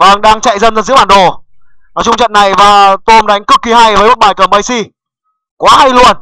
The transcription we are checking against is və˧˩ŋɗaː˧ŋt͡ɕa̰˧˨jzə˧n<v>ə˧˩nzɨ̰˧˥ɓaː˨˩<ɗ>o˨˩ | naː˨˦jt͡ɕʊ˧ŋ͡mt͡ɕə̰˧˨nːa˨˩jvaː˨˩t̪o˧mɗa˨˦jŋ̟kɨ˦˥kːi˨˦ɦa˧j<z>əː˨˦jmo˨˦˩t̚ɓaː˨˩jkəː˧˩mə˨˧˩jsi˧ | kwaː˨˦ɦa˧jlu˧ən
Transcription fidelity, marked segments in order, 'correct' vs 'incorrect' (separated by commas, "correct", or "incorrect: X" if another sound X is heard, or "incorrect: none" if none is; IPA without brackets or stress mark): incorrect: z, correct, incorrect: v